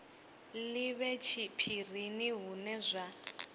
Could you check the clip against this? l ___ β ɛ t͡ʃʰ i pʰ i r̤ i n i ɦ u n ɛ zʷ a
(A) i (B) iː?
A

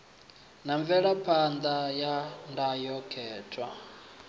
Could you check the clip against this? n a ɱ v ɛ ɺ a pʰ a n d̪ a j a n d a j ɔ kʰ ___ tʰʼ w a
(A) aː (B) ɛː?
B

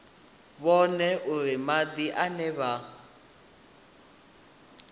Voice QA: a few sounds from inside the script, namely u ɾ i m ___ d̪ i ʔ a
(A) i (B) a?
B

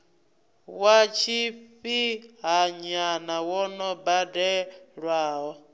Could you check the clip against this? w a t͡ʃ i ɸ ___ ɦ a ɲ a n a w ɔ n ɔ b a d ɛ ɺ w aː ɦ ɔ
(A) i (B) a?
A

